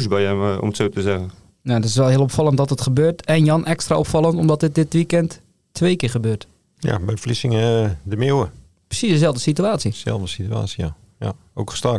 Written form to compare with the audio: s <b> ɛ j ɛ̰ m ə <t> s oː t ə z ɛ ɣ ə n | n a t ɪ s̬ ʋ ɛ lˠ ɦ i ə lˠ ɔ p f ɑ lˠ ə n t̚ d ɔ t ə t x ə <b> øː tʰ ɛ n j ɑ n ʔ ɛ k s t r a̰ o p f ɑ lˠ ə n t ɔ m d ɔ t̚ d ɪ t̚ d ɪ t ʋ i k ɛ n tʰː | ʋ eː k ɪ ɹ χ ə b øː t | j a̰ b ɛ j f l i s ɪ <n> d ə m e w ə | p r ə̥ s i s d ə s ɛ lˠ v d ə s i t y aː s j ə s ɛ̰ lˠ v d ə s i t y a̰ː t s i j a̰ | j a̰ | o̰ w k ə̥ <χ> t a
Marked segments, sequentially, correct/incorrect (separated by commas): correct, correct, correct, incorrect, incorrect